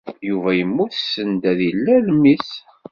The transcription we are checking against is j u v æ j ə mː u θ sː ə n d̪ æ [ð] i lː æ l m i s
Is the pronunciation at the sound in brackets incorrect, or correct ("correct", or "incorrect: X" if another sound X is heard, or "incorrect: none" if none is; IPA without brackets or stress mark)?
correct